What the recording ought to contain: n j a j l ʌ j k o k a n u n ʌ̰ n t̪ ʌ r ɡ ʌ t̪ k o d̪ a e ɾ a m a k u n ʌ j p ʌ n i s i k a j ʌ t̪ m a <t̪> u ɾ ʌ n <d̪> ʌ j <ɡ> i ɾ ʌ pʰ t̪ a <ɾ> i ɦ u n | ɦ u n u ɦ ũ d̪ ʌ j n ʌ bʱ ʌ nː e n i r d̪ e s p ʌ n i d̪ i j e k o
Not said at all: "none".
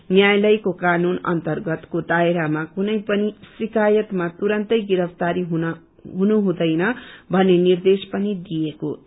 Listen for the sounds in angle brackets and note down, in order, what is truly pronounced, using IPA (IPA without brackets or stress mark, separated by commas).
t̪, t̪, ɡ, ɾ